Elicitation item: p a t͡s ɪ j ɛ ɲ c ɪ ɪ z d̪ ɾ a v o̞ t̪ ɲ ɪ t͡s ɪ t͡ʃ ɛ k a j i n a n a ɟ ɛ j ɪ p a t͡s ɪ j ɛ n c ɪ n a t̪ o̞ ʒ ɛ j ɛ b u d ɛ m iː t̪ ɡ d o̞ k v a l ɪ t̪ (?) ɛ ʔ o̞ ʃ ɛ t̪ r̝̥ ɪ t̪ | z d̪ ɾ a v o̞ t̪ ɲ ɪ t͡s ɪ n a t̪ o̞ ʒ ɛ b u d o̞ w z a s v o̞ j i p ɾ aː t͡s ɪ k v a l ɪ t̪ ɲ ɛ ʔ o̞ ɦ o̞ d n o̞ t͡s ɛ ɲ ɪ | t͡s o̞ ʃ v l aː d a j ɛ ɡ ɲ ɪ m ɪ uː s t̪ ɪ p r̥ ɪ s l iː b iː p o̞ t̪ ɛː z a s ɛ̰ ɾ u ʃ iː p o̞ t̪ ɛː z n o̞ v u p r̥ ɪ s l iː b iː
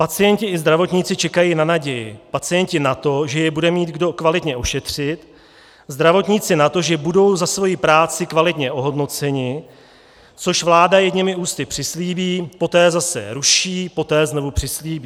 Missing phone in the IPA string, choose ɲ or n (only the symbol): ɲ